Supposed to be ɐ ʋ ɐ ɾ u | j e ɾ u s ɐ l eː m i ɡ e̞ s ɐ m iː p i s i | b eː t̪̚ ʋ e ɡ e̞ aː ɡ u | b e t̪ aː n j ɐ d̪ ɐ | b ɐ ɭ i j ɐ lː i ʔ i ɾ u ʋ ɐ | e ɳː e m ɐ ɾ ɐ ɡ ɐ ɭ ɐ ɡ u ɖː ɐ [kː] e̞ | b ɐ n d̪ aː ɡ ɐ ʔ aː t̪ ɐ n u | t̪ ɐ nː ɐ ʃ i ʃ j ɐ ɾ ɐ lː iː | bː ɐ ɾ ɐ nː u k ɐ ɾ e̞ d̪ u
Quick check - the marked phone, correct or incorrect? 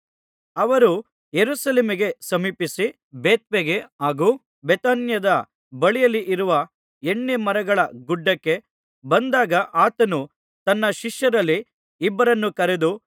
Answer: correct